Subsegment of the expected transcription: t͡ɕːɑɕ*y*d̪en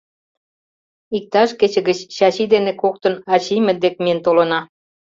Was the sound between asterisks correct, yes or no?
no